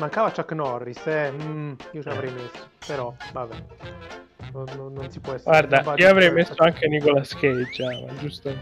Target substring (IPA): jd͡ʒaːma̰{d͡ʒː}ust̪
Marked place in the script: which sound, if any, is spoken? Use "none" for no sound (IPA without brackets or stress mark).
d͡ʒ